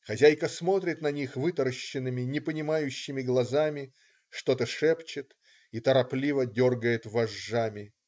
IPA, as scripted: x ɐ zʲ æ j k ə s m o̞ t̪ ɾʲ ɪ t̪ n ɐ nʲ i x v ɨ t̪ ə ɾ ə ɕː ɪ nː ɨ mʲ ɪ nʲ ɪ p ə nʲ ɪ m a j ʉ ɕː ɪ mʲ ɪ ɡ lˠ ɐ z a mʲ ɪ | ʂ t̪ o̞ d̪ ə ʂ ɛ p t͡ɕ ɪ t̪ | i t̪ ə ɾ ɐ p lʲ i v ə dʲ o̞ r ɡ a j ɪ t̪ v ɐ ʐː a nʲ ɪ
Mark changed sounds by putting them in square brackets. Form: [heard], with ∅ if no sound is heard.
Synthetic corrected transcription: x ɐ zʲ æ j k ə s m o̞ t̪ ɾʲ ɪ t̪ n ɐ nʲ i x v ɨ t̪ ə ɾ ə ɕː ɪ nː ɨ mʲ ɪ nʲ ɪ p ə nʲ ɪ m a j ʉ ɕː ɪ mʲ ɪ ɡ lˠ ɐ z a mʲ ɪ | ʂ t̪ o̞ [t̪] ə ʂ ɛ p t͡ɕ ɪ t̪ | i t̪ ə ɾ ɐ p lʲ i v ə dʲ o̞ r ɡ [ə] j ɪ t̪ v ɐ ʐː a [mʲ] ɪ